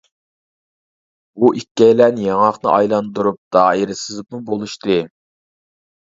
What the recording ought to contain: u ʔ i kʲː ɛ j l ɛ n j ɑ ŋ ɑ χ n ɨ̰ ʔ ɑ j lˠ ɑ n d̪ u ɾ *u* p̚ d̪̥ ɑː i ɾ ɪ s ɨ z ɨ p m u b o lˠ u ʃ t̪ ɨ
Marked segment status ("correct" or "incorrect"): correct